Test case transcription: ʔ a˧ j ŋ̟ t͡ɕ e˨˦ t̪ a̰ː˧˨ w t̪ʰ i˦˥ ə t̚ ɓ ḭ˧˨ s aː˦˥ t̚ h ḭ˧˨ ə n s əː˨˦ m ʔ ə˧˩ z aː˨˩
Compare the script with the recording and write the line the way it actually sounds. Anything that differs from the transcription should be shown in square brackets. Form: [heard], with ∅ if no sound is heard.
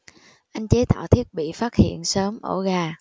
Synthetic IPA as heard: ʔ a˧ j ŋ̟ t͡ɕ e˨˦ t̪ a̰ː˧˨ w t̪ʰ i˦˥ ə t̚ ɓ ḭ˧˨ [f] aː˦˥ t̚ h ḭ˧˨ ə n s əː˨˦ m ʔ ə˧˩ [ɣ] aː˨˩